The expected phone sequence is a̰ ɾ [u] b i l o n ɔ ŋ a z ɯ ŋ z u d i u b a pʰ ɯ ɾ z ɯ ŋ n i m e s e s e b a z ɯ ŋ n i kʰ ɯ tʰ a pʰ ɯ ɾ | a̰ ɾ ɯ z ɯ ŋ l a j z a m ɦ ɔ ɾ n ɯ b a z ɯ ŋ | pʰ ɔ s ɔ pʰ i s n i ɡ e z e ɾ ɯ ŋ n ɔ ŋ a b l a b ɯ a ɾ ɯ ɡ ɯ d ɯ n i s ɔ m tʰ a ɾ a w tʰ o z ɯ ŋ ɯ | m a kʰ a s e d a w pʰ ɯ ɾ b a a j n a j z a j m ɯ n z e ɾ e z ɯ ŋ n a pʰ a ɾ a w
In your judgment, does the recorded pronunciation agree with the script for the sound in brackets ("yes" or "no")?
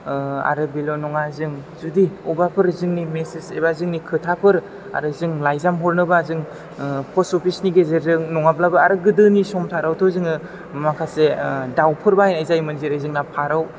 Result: no